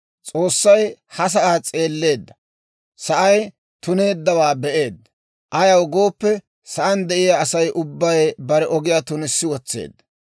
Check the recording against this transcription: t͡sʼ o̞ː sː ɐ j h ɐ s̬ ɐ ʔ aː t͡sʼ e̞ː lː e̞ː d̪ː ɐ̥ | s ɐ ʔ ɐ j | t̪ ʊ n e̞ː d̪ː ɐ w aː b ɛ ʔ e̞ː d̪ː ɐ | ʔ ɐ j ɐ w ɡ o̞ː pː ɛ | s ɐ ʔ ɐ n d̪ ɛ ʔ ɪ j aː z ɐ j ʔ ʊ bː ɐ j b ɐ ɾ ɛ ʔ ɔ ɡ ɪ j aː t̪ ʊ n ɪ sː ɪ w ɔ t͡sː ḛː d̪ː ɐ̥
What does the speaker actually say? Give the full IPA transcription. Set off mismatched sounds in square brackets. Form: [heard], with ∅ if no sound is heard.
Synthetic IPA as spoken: t͡sʼ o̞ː sː ɐ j h ɐ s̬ ɐ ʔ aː t͡sʼ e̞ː lː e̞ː d̪ː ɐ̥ | s ɐ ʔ ɐ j | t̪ ʊ n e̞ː d̪ː ɐ w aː b ɛ ʔ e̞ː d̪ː ɐ | ʔ ɐ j ɐ w ɡ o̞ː pː ɛ | s ɐ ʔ ɐ n d̪ ɛ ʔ ɪ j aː [s] ɐ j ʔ ʊ bː ɐ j b ɐ ɾ ɛ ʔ ɔ ɡ ɪ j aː t̪ ʊ n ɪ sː ɪ w ɔ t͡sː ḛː d̪ː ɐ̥